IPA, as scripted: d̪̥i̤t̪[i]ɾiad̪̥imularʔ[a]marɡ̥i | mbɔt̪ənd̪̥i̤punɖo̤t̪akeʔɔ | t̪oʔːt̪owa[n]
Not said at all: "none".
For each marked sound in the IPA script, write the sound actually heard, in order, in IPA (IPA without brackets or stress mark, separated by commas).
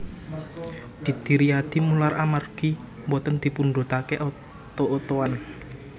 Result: i, a, n